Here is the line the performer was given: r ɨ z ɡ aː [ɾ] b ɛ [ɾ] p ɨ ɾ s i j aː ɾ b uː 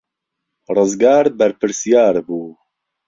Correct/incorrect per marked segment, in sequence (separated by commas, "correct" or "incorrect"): correct, correct